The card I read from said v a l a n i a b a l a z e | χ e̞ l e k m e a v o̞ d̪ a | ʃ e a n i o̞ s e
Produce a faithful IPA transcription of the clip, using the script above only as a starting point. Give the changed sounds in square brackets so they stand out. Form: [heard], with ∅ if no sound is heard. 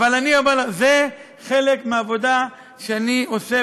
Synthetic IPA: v a l a n i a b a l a z e | χ e̞ l e k m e a v o̞ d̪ a | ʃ e a n i o̞ s e